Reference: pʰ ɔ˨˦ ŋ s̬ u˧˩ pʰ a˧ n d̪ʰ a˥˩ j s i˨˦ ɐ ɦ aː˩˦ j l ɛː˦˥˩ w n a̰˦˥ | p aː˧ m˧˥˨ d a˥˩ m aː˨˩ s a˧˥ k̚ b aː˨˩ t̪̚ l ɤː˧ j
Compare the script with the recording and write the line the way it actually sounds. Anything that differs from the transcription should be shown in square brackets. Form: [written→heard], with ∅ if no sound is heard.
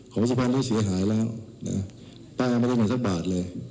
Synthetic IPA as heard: [pʰ→kʰ] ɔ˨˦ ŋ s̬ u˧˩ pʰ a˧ n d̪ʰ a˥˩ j s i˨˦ ɐ ɦ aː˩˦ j l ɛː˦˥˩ w n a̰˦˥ | p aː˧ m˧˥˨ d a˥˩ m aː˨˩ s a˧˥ k̚ b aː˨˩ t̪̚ l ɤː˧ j